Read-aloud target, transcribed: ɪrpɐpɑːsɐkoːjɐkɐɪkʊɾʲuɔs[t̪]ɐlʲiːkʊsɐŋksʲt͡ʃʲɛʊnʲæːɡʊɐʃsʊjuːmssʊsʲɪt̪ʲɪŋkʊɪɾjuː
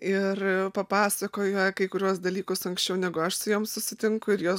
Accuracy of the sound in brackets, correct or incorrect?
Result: incorrect